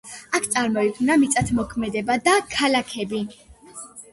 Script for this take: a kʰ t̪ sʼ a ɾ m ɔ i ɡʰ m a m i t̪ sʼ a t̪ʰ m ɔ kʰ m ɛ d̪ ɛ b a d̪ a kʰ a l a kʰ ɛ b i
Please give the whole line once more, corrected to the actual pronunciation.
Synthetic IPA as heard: a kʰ t̪ sʼ a ɾ m ɔ i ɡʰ n a m i t̪ sʼ a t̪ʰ m ɔ kʰ m ɛ d̪ ɛ b a d̪ a kʰ a l a kʰ ɛ b i